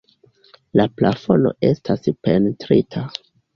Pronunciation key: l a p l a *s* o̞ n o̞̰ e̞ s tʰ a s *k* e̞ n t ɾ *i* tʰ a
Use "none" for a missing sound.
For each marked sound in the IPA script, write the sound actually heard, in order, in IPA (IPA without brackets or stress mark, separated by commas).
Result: f, p, i